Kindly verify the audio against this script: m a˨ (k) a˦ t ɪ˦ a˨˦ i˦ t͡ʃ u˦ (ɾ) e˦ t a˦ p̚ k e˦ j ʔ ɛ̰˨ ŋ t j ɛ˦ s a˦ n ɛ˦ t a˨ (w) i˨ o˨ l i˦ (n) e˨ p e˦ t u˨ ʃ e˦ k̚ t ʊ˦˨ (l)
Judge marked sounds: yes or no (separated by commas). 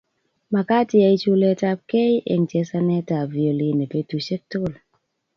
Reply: yes, no, no, yes, yes